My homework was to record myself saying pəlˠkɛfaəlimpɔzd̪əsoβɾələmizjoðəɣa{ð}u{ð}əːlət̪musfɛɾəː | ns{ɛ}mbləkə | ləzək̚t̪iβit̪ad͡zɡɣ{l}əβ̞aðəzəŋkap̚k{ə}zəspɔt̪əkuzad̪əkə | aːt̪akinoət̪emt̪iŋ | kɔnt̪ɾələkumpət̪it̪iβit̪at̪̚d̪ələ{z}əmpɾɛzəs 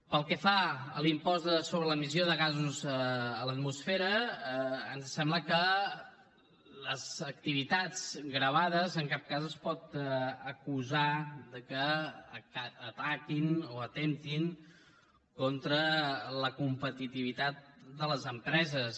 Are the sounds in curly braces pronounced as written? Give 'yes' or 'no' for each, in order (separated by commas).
no, no, yes, no, no, yes